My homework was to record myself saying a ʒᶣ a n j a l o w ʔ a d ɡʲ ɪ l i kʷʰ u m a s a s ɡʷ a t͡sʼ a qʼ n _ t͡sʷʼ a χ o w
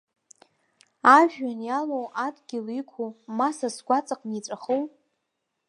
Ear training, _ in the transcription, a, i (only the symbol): i